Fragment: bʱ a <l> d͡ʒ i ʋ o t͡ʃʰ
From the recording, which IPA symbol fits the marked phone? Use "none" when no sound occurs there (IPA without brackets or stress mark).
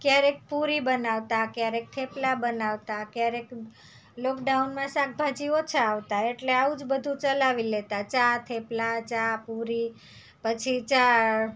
none